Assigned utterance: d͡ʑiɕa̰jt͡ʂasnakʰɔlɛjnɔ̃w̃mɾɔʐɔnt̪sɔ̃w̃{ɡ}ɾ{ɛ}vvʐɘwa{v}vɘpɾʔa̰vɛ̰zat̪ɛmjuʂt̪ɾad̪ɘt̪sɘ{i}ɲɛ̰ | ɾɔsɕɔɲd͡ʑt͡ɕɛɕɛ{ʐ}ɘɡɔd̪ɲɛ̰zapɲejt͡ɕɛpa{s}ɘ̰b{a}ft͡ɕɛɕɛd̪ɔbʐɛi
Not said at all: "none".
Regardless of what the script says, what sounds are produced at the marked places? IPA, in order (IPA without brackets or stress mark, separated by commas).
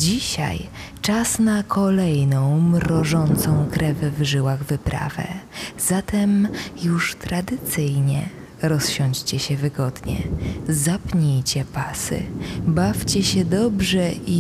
k, ɛ, ɣ, j, v, s, a